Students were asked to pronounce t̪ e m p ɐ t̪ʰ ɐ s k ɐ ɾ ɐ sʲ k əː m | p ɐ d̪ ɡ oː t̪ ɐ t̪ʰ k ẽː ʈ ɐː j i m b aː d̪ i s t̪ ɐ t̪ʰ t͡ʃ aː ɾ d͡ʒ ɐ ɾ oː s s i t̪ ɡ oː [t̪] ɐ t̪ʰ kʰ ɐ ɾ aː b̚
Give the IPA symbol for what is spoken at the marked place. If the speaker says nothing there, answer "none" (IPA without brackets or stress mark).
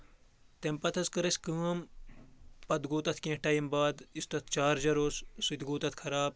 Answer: t̪